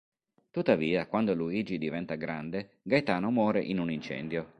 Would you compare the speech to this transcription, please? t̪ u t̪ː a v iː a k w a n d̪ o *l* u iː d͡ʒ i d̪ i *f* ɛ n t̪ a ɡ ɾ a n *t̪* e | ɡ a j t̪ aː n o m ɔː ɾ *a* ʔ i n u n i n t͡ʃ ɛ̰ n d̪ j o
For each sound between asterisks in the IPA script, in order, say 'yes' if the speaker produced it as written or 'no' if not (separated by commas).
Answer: yes, no, no, no